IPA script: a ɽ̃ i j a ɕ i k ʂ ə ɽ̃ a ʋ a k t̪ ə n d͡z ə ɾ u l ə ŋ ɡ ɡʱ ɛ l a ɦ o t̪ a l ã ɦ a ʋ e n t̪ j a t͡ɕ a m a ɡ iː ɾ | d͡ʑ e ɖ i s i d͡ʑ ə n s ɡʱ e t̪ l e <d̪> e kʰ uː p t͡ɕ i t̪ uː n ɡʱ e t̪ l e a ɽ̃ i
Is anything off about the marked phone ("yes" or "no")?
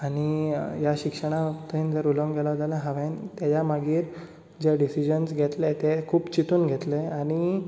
yes